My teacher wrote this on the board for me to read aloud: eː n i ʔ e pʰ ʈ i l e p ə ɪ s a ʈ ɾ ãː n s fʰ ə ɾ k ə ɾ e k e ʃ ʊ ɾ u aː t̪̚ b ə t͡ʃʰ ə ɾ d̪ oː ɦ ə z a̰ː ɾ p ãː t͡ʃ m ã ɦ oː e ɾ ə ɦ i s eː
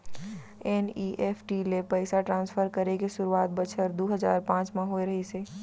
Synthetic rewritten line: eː n i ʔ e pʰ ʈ i l e p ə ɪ s a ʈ ɾ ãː n s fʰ ə ɾ k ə ɾ e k e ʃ ʊ ɾ u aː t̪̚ b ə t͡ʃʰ ə ɾ d̪ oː ɦ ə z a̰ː ɾ p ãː t͡ʃ m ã ɦ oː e ɾ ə ɦ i s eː